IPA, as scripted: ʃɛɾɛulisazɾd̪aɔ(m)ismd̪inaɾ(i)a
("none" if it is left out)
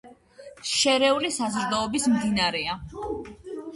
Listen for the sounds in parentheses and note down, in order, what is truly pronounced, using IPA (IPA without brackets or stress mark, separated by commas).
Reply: b, ɛ